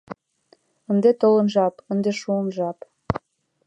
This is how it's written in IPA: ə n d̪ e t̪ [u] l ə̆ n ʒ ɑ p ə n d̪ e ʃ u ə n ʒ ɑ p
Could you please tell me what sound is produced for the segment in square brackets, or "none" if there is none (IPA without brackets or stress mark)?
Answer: o